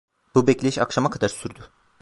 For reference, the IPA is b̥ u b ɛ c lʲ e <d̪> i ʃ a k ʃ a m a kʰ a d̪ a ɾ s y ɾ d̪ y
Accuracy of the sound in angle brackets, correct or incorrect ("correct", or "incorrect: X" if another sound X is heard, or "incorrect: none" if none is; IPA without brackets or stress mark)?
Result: incorrect: none